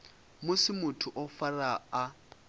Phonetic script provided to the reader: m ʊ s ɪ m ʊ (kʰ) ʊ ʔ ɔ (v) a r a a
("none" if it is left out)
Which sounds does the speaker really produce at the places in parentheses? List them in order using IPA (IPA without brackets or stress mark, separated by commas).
tʰ, f